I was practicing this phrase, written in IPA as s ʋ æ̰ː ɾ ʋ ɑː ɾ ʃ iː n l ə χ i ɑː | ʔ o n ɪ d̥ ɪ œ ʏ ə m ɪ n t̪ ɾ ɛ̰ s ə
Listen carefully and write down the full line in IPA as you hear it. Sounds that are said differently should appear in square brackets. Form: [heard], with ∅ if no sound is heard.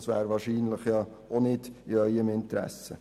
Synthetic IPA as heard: s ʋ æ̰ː ɾ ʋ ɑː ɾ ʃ iː n l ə χ [j] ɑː | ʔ o n ɪ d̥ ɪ œ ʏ ə m ɪ n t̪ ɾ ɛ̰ s ə